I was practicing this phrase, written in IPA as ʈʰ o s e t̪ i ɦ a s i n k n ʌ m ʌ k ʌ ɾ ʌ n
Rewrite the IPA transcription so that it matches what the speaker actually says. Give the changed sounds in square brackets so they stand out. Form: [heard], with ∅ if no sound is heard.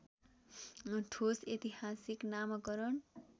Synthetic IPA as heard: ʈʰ o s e t̪ i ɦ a s i [∅] k n [a] m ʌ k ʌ ɾ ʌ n